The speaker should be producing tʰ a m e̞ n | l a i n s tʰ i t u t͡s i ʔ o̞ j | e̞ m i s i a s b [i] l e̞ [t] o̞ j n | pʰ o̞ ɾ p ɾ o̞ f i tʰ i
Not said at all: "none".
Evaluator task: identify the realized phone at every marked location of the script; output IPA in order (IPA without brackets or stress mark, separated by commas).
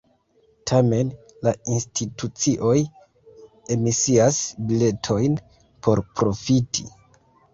i, tʰ